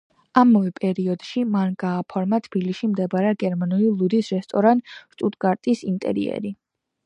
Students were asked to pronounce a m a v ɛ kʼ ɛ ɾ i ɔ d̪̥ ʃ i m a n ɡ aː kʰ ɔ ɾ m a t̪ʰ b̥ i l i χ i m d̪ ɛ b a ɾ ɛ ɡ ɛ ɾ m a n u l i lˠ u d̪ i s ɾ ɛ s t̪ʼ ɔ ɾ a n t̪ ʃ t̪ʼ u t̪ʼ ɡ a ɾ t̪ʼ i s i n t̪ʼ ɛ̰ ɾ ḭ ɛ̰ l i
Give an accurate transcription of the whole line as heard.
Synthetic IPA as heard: a m a v ɛ pʼ ɛ ɾ i ɔ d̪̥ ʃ i m a n ɡ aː pʰ ɔ ɾ m a t̪ʰ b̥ i l i ʃ i m d̪ ɛ b a ɾ ɛ ɡ ɛ ɾ m a n u l i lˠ u d̪ i s ɾ ɛ s t̪ʼ ɔ ɾ a n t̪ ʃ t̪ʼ u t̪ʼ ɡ a ɾ t̪ʼ i s i n t̪ʼ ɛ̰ ɾ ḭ ɛ̰ ɾ i